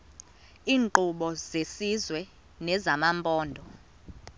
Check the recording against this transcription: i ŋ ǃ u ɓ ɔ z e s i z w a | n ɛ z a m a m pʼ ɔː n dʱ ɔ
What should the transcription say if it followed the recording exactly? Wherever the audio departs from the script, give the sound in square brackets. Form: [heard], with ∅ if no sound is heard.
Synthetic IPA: [iː] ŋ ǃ u ɓ ɔ z e s i z w [ɛ] | n ɛ z a m a m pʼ ɔː n dʱ ɔ

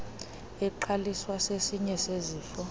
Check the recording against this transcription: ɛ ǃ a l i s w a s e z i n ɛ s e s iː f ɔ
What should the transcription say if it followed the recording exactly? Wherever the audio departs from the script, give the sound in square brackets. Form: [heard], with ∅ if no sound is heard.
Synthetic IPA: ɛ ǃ a l i s w a s e [s] i [ɲ] ɛ s e [z] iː f ɔ

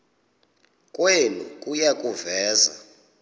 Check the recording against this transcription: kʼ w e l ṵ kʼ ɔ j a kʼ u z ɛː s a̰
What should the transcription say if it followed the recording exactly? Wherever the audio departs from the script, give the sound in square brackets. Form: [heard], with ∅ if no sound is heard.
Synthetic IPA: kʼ w e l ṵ kʼ [u] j a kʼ u [v] ɛː [z] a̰

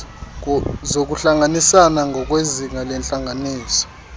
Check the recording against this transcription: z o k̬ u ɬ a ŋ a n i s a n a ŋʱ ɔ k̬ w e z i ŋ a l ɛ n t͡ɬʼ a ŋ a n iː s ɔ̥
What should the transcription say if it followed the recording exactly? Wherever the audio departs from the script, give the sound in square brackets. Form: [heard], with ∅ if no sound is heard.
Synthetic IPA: z o k̬ u ɬ a ŋ a n i s a n a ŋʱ ɔ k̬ w e z i ŋ a l ɛ n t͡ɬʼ a ŋ a n iː s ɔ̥

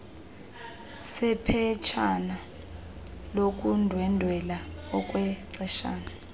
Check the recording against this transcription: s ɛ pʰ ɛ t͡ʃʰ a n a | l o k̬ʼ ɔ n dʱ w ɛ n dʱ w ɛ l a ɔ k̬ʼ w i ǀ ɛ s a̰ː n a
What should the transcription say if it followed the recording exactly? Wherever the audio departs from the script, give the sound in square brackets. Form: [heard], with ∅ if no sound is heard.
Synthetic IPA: s ɛ pʰ ɛ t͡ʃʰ a n a | l o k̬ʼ [u] n dʱ w ɛ n dʱ w ɛ l a ɔ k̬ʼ w [ɛ] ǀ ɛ [ʃ] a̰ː n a

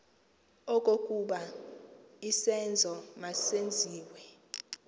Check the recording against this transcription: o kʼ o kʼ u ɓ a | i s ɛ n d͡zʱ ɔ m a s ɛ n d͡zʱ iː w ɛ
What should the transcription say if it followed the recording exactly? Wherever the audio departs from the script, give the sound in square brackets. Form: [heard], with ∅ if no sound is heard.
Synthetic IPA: [ɔ] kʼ o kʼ u ɓ a | i s ɛ n d͡zʱ ɔ m a s [e] n d͡zʱ iː w ɛ

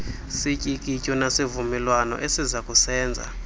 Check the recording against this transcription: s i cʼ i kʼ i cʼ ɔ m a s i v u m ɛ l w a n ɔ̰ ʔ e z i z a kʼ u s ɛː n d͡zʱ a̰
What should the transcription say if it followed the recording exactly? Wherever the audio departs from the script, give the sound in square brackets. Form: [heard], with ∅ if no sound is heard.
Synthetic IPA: s i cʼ i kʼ i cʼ ɔ [n] a s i v u m ɛ l w a n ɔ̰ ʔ e [s] i z a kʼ u s ɛː n d͡zʱ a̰

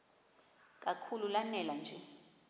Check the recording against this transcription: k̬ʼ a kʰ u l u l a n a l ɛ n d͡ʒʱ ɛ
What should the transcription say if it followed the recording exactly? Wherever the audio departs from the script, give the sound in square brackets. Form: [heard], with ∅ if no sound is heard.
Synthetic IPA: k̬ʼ a kʰ u l u l a n [ɛ] l [a] n d͡ʒʱ ɛ

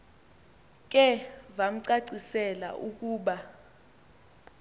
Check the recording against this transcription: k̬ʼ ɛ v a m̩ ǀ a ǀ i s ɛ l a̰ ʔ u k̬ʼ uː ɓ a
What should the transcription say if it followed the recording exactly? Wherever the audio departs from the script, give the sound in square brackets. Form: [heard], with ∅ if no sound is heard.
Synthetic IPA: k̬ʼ ɛ v a m̩ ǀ a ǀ i s ɛ l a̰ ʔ u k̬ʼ uː ɓ a

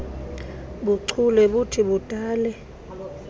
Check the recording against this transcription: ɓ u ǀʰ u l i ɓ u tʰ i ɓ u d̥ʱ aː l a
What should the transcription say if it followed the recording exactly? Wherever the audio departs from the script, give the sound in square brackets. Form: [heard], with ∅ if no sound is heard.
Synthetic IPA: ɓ u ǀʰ u l [ɛ] ɓ u tʰ i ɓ u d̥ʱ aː l [ɛ]

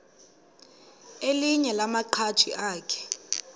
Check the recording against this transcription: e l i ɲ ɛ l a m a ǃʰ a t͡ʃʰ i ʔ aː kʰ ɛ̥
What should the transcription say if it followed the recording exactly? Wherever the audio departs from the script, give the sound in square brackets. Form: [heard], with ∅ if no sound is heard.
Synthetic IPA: e l i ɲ ɛ l a m a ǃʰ a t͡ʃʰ i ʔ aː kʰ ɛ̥

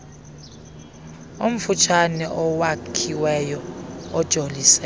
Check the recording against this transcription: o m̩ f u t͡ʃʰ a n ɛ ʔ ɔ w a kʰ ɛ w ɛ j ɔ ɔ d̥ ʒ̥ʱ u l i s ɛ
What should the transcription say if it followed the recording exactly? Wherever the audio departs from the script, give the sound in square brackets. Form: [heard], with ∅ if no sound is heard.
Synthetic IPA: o m̩ f u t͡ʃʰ a n ɛ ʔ ɔ w a kʰ [i] w ɛ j ɔ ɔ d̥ ʒ̥ʱ [o] l i s ɛ

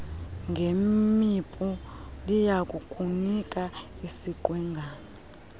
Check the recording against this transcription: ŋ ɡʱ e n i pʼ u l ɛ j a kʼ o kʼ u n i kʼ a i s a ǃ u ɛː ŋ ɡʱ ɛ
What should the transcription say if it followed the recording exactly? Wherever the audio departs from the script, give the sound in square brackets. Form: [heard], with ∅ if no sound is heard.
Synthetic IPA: ŋ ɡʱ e [m] i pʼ u l [i] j a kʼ [u] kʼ u n i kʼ a i s [i] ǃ [w] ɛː ŋ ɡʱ [a]

